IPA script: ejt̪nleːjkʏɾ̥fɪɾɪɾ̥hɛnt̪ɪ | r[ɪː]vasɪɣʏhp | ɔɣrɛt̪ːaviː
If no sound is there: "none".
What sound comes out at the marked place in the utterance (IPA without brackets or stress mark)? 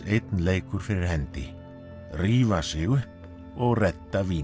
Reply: iː